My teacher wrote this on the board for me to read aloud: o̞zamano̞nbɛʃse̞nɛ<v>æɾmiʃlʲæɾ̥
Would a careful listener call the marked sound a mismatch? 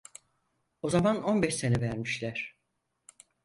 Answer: no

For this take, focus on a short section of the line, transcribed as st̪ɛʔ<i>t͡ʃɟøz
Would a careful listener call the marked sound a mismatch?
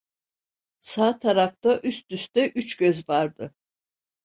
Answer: yes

